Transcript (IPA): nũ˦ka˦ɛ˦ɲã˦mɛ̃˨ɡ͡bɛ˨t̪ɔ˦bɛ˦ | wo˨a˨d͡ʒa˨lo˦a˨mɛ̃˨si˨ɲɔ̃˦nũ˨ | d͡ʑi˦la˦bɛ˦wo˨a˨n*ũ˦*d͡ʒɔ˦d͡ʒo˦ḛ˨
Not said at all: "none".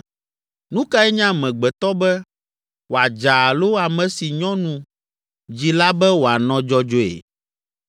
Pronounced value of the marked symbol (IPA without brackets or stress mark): ɔ̃˦